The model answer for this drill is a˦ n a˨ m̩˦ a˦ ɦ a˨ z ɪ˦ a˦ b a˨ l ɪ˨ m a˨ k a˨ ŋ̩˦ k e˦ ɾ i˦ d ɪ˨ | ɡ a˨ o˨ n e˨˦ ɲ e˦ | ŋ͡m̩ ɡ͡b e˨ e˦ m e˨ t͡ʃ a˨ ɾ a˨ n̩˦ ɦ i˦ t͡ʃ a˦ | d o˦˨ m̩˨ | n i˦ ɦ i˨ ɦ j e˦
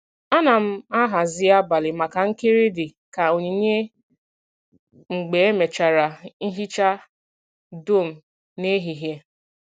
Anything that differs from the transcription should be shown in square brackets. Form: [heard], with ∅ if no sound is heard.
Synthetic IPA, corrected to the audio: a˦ n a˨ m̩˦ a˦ ɦ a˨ z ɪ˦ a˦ b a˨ l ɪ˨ m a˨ k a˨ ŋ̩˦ k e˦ ɾ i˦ d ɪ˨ | [k] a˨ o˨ [ɲ] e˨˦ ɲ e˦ | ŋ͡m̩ ɡ͡b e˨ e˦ m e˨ t͡ʃ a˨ ɾ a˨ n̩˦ ɦ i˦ t͡ʃ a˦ | d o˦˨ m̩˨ | n [e˦] ɦ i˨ ɦ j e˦